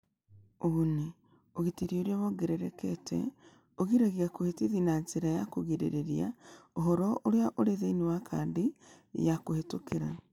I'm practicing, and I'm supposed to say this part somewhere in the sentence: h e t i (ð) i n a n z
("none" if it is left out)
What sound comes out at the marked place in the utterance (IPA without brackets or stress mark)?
ð